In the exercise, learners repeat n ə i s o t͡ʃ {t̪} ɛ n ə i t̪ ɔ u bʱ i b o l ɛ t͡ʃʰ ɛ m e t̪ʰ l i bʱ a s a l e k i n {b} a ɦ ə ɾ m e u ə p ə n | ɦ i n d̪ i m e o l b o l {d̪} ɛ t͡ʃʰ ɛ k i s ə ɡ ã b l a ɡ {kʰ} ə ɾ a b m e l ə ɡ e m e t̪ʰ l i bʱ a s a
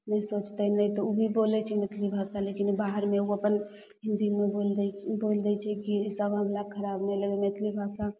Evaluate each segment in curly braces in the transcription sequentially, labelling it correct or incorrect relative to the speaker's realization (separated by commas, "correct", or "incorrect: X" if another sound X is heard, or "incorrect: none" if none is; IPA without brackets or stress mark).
correct, correct, correct, correct